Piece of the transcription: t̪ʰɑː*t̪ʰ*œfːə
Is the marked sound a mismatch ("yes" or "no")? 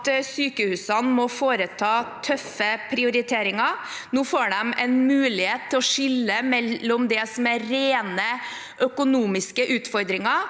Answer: no